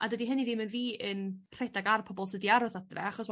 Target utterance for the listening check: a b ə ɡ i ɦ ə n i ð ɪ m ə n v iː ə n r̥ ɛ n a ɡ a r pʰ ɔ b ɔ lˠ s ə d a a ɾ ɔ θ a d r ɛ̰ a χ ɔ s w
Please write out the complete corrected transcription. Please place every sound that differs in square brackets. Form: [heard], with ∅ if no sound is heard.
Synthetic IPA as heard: a [d] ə [d] i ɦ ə n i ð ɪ m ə n v iː ə n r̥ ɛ [d] a ɡ a r pʰ ɔ b ɔ lˠ s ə d [i] a ɾ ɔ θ a d r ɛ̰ a χ ɔ s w